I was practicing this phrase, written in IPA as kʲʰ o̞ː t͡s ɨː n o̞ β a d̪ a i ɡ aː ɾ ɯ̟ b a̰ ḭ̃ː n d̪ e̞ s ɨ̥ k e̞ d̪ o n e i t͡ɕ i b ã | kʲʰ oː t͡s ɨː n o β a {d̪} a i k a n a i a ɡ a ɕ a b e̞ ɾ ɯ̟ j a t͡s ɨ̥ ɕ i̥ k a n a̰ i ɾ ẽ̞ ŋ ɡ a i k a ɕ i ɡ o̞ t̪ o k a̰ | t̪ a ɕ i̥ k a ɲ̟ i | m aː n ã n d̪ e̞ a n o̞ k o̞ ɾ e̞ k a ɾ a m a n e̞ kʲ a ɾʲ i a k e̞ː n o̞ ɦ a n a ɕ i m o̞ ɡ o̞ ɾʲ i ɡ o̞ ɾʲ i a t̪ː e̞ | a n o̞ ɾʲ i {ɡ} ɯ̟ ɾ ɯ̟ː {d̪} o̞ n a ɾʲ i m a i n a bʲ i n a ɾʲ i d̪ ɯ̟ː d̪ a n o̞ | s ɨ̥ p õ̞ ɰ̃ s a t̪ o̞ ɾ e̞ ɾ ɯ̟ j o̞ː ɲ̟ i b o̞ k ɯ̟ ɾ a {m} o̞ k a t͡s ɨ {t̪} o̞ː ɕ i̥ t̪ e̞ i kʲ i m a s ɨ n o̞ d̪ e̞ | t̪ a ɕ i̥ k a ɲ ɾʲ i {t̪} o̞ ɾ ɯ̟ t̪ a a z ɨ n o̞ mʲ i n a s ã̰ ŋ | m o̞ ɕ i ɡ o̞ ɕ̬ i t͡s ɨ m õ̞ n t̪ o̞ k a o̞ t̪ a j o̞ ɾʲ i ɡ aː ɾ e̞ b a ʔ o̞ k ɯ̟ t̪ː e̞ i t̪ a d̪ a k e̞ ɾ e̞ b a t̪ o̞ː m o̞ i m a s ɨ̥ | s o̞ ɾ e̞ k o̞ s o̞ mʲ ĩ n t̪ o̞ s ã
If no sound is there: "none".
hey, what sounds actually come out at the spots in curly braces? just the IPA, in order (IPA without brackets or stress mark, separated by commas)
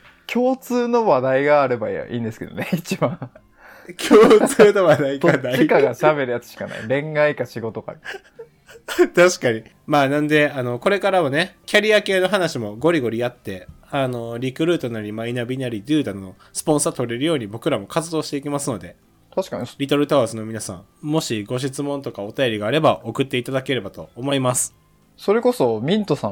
d̪, k, t̪, m, d̪, t̪